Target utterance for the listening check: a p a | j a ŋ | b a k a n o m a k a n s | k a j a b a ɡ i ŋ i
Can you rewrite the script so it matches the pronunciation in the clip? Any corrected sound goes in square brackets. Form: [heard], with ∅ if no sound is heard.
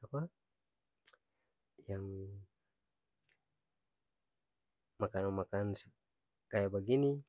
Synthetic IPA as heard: a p a | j a ŋ | [m] a k a n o m a k a n s | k a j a b a ɡ i [n] i